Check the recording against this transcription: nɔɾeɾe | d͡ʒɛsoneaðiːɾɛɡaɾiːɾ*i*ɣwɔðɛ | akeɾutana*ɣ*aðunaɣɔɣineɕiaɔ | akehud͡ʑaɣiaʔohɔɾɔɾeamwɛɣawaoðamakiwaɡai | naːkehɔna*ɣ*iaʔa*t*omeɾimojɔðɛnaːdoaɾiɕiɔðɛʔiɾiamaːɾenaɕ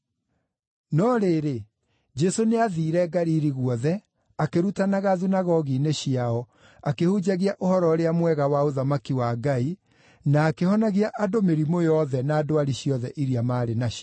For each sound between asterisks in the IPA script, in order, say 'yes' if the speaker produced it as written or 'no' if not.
yes, yes, yes, no

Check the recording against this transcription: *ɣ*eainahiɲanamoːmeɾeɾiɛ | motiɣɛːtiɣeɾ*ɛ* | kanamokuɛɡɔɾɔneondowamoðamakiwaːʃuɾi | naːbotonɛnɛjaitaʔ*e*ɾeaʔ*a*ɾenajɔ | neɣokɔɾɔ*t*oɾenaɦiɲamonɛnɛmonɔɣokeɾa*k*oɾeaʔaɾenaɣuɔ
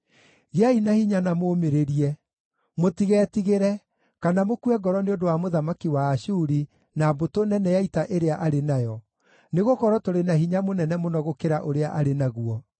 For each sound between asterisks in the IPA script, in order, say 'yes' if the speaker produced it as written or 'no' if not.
yes, yes, yes, yes, yes, no

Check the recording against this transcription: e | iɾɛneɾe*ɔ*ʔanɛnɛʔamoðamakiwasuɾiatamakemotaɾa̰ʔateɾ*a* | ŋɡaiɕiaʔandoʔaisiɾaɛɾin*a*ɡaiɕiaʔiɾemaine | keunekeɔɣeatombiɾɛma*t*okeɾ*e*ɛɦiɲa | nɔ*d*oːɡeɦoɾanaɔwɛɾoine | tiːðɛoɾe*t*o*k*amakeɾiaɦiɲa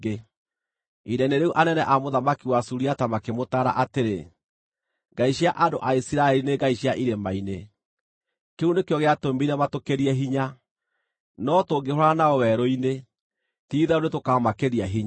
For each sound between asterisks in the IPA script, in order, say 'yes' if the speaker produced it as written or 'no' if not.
no, no, no, yes, no, no, yes, yes

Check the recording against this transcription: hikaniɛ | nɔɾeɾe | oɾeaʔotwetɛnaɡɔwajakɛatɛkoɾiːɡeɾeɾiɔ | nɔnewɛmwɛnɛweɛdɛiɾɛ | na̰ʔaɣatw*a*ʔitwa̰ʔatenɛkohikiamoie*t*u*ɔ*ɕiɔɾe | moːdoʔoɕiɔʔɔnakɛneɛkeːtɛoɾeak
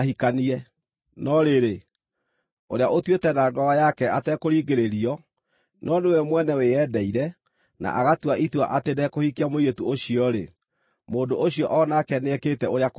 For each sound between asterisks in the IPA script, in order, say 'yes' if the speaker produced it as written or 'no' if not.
yes, yes, no

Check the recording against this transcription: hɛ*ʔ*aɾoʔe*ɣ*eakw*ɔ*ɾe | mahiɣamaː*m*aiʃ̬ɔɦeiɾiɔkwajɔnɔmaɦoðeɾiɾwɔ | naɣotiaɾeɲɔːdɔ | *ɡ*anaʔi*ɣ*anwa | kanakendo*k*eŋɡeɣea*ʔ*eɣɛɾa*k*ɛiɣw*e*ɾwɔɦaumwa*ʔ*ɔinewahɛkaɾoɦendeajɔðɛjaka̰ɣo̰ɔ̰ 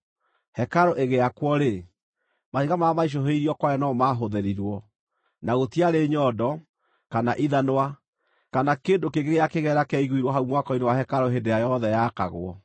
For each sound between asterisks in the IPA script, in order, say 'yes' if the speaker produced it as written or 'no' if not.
no, yes, yes, yes, no, no, yes, no, yes, no, no

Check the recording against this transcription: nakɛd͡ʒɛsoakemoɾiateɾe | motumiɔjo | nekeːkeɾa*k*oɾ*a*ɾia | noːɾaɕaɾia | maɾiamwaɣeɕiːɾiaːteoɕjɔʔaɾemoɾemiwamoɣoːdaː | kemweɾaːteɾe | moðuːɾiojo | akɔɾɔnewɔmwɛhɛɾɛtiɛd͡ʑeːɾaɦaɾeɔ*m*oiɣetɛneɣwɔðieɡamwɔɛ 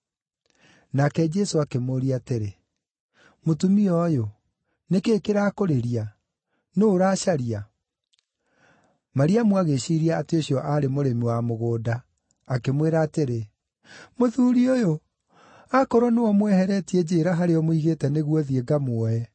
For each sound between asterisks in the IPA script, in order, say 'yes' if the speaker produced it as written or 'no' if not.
yes, no, yes

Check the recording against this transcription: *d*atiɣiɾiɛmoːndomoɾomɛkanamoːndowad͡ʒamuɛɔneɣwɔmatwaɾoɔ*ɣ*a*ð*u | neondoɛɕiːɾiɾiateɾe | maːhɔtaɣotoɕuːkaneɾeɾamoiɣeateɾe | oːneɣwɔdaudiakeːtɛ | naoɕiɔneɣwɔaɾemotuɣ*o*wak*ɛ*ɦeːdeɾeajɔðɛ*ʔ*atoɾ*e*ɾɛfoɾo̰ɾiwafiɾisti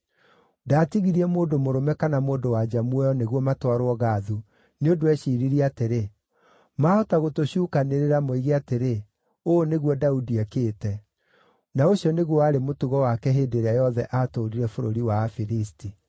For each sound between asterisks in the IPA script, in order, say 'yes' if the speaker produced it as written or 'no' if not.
yes, yes, yes, no, yes, yes, no

